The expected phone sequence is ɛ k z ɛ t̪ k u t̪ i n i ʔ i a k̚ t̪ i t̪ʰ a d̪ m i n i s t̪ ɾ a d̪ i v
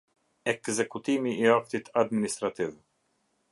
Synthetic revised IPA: ɛ k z ɛ k u t̪ i m i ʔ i a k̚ t̪ i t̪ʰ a d̪ m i n i s t̪ ɾ a t̪ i v